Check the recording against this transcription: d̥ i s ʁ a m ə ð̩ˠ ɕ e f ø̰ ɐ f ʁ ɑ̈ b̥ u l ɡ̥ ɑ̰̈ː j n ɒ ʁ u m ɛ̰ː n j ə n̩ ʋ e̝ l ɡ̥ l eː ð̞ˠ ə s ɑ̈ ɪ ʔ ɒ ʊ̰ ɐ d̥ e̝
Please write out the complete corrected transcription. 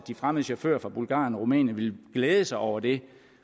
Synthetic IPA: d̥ i f ʁ a m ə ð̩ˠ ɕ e f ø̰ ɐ f ʁ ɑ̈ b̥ u l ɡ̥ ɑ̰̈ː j n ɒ ʁ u m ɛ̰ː n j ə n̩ ʋ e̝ l ɡ̥ l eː ð̞ˠ ə s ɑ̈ ɪ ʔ ɒ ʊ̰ ɐ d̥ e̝